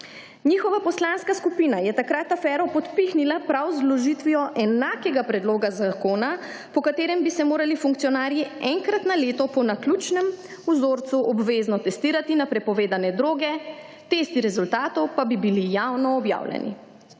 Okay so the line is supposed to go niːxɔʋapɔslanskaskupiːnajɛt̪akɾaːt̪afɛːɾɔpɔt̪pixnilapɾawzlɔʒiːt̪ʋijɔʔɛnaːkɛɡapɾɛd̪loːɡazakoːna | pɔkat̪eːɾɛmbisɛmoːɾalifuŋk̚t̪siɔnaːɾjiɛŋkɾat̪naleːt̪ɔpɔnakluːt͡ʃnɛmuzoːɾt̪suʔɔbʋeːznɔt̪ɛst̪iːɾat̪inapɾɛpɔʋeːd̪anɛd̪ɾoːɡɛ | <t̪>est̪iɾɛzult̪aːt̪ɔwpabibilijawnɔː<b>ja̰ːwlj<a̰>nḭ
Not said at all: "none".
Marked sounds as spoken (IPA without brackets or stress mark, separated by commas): t̪, b, ɛ̰